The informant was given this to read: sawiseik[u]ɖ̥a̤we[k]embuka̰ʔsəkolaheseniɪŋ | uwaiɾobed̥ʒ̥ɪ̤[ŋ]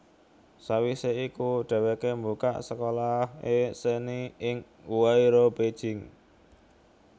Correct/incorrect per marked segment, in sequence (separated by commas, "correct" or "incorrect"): correct, correct, correct